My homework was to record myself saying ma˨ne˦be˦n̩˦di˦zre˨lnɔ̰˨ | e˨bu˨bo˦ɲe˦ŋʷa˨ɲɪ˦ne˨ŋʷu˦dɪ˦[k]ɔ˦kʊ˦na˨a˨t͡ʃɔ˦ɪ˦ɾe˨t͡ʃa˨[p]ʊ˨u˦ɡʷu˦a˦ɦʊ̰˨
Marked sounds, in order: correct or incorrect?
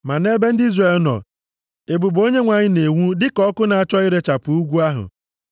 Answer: correct, correct

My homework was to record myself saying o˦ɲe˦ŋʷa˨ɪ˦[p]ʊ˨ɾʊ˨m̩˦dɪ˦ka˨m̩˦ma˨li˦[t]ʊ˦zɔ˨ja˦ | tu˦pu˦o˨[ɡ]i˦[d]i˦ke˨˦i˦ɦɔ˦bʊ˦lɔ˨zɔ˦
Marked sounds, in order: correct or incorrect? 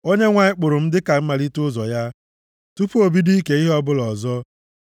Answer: incorrect: k͡p, correct, incorrect: b, correct

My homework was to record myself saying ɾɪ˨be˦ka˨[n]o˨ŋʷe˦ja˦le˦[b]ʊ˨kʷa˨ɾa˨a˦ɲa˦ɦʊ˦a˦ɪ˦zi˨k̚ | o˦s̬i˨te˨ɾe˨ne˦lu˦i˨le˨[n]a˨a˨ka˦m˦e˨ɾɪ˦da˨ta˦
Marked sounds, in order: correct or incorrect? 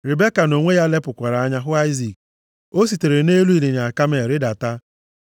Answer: correct, incorrect: p, incorrect: ɲ

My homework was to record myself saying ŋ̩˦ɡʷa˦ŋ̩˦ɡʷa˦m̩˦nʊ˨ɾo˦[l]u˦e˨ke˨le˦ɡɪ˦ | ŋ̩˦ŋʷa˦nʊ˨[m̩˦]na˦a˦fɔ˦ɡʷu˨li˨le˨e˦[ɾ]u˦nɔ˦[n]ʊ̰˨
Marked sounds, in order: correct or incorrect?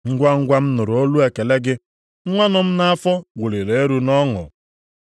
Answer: correct, correct, correct, incorrect: ŋ

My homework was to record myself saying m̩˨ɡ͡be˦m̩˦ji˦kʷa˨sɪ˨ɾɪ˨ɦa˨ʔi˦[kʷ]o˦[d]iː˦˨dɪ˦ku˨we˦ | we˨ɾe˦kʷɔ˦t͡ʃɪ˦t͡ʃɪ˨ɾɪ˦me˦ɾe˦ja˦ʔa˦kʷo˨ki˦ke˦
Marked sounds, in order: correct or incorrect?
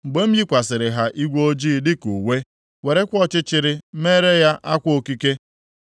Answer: incorrect: ɡʷ, incorrect: d͡ʒ

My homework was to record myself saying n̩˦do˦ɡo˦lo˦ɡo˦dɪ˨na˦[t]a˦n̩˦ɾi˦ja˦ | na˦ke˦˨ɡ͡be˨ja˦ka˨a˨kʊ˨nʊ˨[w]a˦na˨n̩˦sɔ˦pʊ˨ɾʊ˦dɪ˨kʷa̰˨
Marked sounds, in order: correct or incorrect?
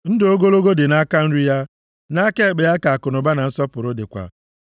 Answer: incorrect: k, incorrect: b

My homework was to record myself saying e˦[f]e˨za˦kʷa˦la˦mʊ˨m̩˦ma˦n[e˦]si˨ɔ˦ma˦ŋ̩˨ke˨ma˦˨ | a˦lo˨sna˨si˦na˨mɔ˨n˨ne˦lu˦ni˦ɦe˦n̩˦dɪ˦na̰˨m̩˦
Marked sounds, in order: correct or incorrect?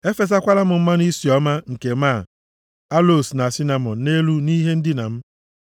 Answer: correct, incorrect: i˦

